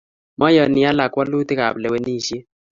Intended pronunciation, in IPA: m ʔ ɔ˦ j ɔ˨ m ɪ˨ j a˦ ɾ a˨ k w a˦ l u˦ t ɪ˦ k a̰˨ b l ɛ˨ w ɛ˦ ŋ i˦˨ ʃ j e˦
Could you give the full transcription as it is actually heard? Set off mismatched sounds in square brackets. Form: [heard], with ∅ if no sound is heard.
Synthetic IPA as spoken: m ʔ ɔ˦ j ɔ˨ [n] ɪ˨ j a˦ [l] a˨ k w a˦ l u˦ t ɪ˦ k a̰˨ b l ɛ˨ w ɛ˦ [n] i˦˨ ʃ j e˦